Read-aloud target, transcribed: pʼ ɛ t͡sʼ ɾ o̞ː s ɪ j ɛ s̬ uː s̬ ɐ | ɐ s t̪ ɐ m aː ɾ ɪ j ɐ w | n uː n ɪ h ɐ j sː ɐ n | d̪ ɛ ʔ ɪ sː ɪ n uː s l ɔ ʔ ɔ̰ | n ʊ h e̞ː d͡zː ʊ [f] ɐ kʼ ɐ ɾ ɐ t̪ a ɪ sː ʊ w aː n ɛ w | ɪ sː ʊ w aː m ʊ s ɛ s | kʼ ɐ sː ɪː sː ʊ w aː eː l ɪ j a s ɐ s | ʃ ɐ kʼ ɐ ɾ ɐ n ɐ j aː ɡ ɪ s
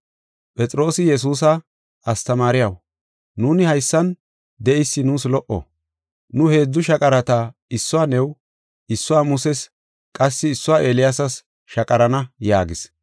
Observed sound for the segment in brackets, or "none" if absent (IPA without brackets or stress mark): ʃ